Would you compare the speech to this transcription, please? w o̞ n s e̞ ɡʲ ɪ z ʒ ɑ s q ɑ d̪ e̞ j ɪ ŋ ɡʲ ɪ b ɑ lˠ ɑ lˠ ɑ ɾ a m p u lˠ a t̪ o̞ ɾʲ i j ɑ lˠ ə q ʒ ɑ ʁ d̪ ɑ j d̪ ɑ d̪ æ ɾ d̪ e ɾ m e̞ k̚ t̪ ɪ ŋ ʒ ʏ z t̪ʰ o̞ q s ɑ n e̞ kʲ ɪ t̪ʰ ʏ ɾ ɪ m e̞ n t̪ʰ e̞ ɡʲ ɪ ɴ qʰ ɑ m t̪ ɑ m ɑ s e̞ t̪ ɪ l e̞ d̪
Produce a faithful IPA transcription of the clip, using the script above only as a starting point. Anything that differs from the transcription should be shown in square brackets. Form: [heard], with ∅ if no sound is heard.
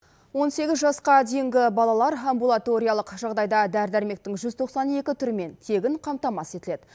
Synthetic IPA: w o̞ n s e̞ ɡʲ ɪ z ʒ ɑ s q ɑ d̪ e̞ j ɪ ŋ ɡʲ ɪ b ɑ lˠ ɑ lˠ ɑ ɾ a m [b] u lˠ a t̪ o̞ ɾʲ i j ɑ lˠ ə q ʒ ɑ ʁ d̪ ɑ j d̪ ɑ d̪ æ ɾ d̪ [æ] ɾ m e̞ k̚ t̪ ɪ ŋ ʒ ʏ z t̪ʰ o̞ q s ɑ n e̞ kʲ ɪ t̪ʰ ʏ ɾ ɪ m e̞ n t̪ʰ e̞ ɡʲ ɪ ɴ qʰ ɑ m t̪ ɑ m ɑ s e̞ t̪ ɪ l e̞ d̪